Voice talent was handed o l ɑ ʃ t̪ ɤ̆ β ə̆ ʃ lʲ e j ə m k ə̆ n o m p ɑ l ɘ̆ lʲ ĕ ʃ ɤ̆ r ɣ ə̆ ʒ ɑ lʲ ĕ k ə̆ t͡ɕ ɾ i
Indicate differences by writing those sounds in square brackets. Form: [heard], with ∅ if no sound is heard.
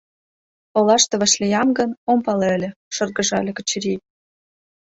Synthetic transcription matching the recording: o l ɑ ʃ t̪ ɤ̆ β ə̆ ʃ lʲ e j [ɑ] m [ɡ] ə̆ n o m p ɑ l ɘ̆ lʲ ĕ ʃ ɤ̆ r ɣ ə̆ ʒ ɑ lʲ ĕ k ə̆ t͡ɕ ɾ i